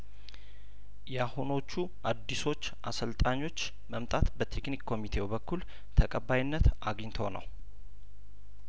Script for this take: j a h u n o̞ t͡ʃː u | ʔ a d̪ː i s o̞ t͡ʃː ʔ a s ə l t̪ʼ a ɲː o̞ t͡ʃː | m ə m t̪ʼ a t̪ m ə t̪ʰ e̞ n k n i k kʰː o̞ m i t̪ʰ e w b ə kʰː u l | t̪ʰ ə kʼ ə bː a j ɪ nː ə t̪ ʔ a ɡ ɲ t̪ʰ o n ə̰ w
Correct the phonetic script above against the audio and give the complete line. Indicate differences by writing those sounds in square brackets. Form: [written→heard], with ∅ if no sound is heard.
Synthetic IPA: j a h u n o̞ t͡ʃː u | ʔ a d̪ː i s o̞ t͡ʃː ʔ a s ə l t̪ʼ a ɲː o̞ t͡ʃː | m ə m t̪ʼ a t̪ [m→b] ə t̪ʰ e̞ [n→∅] k n i k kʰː o̞ m i t̪ʰ e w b ə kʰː u l | t̪ʰ ə kʼ ə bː a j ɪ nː ə t̪ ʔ a ɡ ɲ t̪ʰ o n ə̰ w